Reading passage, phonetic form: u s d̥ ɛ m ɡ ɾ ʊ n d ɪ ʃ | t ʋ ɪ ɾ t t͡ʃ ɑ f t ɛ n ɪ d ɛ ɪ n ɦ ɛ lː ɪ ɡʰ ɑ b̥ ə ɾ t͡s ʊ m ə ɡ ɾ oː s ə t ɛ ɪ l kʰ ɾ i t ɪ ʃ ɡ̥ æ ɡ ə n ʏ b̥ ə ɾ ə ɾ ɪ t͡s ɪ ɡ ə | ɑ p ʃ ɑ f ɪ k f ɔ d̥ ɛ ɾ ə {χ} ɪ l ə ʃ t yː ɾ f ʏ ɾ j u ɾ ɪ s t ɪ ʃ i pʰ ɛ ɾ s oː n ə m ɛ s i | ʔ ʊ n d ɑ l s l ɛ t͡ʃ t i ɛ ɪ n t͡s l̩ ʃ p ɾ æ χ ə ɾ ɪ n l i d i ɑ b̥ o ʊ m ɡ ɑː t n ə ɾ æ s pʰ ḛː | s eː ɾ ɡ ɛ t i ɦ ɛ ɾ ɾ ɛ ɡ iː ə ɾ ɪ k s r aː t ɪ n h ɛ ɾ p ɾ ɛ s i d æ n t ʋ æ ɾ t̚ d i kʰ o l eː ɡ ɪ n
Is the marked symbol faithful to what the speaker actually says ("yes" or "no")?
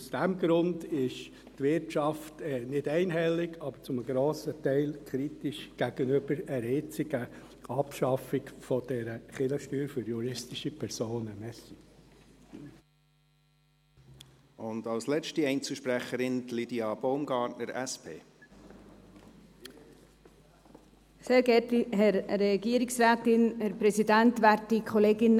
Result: yes